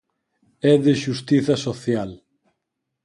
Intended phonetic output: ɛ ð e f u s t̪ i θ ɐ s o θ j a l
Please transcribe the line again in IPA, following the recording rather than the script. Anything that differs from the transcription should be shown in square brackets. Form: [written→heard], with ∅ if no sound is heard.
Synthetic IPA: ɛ ð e [f→ʃ] u s t̪ i θ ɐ s o θ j a l